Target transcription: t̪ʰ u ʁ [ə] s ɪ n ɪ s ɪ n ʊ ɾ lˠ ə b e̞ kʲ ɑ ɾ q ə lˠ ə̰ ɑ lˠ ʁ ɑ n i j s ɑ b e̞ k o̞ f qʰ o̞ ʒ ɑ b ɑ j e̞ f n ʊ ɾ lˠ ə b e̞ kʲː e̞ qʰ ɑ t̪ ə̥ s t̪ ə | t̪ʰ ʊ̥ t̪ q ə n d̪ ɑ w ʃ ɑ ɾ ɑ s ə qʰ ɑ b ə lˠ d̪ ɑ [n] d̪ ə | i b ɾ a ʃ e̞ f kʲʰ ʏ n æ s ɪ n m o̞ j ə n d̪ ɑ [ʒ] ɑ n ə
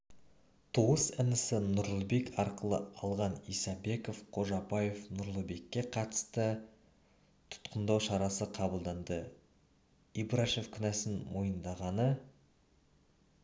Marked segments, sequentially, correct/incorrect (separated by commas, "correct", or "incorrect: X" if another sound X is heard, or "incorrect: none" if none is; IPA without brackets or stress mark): correct, correct, incorrect: ʁ